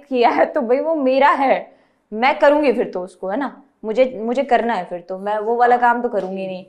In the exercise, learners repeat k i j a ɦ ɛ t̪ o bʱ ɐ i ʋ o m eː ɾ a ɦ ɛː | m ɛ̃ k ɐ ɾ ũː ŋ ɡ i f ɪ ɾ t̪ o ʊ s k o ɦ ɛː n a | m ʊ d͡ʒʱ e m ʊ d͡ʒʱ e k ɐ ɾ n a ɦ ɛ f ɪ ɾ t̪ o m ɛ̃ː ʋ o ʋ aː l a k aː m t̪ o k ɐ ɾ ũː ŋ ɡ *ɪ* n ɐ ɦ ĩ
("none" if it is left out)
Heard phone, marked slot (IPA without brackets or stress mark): i